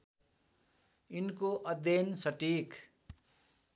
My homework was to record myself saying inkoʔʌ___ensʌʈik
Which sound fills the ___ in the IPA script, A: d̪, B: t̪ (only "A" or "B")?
A